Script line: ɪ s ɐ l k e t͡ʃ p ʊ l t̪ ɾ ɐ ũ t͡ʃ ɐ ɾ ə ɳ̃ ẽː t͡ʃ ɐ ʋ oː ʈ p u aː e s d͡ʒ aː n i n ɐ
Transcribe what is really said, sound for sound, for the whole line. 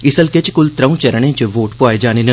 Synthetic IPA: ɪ s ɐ l k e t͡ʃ k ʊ l t̪ ɾ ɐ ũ t͡ʃ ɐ ɾ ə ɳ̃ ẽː t͡ʃ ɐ ʋ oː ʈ p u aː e d͡ʒ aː n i n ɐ